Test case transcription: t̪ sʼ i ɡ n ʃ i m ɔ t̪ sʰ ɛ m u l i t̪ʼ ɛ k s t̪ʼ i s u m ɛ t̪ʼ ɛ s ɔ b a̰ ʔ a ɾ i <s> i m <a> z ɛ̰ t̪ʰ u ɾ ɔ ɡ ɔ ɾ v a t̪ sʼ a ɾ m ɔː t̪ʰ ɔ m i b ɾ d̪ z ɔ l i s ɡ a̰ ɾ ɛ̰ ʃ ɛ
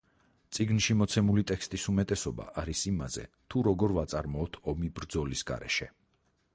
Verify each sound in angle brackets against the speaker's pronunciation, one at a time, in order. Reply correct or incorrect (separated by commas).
correct, correct